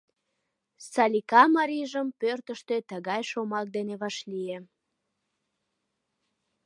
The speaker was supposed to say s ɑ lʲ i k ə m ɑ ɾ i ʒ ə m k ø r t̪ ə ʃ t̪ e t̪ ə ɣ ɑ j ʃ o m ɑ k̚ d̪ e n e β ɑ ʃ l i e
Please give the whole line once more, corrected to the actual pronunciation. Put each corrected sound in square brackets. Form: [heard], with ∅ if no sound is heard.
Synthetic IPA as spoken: s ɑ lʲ i k [ɑ] m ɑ ɾ i ʒ ə m [p] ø r t̪ ə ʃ t̪ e t̪ ə ɣ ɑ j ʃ o m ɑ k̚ d̪ e n e β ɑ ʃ l i e